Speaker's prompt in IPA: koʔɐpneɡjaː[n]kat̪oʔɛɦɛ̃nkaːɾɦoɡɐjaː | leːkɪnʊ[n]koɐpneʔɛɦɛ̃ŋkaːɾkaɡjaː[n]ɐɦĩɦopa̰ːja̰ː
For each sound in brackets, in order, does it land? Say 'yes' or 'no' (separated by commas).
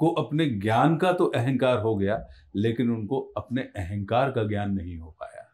yes, yes, no